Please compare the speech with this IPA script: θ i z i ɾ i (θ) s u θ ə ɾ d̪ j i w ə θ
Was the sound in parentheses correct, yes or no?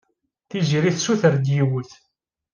yes